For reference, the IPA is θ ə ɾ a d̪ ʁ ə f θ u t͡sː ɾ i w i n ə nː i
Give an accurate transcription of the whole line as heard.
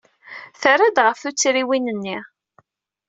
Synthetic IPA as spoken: θ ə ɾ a d̪ ʁ ə f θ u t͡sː ɾ i w i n ə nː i